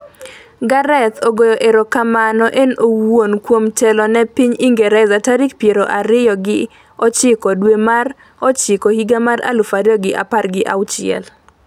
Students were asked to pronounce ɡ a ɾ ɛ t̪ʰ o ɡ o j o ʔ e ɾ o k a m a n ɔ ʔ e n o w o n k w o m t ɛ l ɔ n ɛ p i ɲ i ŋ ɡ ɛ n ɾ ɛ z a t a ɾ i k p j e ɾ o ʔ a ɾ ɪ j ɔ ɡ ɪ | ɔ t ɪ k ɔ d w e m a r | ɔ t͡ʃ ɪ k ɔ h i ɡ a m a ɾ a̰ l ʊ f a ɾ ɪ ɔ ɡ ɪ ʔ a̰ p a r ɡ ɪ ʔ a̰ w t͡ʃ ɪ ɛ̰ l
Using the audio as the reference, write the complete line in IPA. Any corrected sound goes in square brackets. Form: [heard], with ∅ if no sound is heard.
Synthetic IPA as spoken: ɡ a ɾ ɛ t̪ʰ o ɡ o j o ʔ e ɾ o k a m a n ɔ ʔ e n o w o n k w o m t ɛ l ɔ n ɛ p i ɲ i ŋ ɡ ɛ [∅] ɾ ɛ z a t a ɾ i k p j e ɾ o ʔ a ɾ ɪ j ɔ ɡ ɪ | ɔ [t͡ʃ] ɪ k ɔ d w e m a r | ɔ t͡ʃ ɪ k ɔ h i ɡ a m a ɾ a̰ l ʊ f a ɾ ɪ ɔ ɡ ɪ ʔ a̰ p a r ɡ ɪ ʔ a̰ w t͡ʃ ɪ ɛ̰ l